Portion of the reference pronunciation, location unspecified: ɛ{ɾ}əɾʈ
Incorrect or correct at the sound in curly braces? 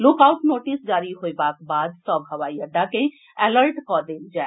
incorrect: l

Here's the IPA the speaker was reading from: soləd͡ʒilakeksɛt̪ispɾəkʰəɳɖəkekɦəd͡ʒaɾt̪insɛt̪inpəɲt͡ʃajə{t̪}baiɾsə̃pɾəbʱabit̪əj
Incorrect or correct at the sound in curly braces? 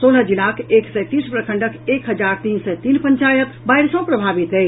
correct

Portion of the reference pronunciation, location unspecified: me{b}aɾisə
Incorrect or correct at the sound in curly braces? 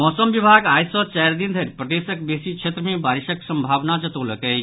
correct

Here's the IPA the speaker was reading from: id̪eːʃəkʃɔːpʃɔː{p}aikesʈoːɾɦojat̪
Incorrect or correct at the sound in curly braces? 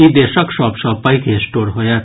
correct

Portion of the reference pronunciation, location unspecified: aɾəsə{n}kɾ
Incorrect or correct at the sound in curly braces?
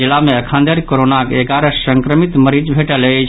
incorrect: ŋ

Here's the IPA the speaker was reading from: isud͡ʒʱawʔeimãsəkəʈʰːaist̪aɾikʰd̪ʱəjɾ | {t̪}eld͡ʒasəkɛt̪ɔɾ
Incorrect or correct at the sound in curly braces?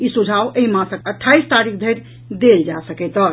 incorrect: d̪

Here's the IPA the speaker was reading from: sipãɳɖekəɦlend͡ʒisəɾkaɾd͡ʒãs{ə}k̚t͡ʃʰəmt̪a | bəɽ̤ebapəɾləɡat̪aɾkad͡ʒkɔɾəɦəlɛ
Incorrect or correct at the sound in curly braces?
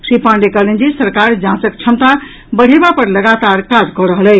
correct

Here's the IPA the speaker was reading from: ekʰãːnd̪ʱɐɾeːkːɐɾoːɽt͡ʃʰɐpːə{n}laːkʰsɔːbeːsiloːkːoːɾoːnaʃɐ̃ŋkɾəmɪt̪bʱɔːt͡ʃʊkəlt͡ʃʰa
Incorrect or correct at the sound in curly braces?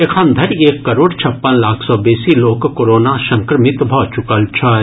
correct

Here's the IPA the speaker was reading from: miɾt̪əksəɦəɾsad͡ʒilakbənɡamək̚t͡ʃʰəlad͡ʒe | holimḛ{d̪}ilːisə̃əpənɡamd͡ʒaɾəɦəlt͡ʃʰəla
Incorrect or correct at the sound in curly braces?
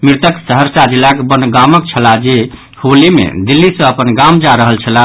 correct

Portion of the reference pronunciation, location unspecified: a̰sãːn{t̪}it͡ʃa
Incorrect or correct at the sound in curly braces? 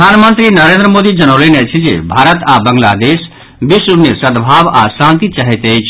correct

